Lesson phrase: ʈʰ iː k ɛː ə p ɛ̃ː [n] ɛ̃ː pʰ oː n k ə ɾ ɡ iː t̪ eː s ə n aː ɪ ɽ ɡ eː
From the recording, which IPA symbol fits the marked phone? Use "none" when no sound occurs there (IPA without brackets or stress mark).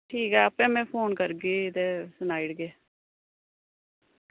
m